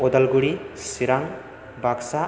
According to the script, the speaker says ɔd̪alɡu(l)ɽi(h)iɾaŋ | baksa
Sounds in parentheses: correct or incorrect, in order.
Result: incorrect: none, incorrect: s

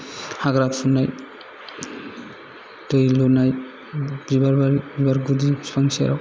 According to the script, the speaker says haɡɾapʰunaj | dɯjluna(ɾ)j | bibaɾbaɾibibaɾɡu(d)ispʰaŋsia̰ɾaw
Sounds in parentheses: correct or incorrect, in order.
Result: incorrect: none, correct

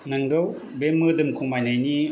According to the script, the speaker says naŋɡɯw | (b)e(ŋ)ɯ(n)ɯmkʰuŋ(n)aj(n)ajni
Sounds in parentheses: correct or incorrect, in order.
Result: correct, incorrect: m, incorrect: d, incorrect: m, correct

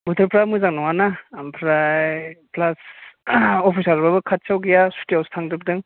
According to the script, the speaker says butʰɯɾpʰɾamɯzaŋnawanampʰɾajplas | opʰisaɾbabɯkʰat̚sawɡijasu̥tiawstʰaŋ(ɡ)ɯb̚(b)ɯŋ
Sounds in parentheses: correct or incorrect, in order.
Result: incorrect: d, incorrect: d

